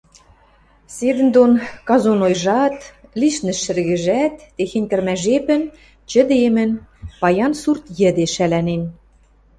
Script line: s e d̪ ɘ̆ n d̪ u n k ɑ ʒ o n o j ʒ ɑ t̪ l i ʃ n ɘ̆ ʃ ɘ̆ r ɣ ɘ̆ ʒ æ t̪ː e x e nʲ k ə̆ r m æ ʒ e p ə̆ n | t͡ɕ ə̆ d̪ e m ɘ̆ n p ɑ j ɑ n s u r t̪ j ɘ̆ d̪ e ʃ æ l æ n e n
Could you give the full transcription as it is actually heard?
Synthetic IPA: s e d̪ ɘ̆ n d̪ o n k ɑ z o n o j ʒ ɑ t̪ l i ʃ n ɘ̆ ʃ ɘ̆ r ɣ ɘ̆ ʒ æ t̪ː e x e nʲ k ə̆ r m æ ʒ e p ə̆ n | t͡ɕ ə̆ d̪ e m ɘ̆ n p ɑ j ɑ n s u r t̪ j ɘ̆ d̪ e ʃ æ l æ n e n